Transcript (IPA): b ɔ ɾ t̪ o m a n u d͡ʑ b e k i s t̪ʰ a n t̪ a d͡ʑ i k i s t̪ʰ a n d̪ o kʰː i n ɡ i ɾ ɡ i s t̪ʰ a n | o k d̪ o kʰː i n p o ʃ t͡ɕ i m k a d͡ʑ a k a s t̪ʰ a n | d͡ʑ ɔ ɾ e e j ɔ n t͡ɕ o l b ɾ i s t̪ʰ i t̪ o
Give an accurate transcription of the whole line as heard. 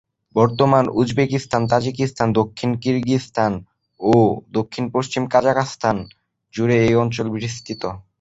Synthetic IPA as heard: b ɔ ɾ t̪ o m a n u d͡ʑ b e k i s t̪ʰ a n t̪ a d͡ʑ i k i s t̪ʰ a n d̪ o kʰː i n k i ɾ ɡ i s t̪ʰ a n | o d̪ o kʰː i n p o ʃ t͡ɕ i m k a d͡ʑ a k a s t̪ʰ a n | d͡ʑ u ɾ e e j ɔ n t͡ɕ o l b ɾ i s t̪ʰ i t̪ o